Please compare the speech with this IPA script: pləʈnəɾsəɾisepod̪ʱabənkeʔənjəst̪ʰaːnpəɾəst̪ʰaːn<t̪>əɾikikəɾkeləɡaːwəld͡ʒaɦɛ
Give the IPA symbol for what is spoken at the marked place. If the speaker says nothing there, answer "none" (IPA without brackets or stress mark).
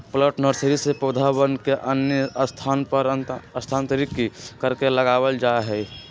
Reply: t̪